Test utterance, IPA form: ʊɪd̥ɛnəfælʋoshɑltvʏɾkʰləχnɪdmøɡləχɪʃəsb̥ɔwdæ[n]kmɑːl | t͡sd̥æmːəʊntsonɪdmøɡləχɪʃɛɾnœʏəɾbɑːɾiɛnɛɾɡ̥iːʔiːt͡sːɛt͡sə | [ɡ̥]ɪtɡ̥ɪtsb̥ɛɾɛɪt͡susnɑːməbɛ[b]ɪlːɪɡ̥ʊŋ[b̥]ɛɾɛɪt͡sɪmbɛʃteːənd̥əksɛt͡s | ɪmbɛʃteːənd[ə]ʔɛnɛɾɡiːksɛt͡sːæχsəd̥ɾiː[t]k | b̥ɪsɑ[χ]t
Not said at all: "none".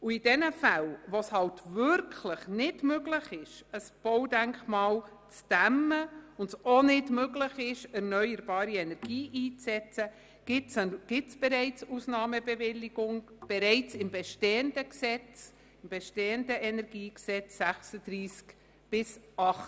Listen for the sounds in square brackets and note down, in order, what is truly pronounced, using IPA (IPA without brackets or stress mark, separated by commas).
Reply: ŋ, ɡ̥, v, b̥, ə, s, χ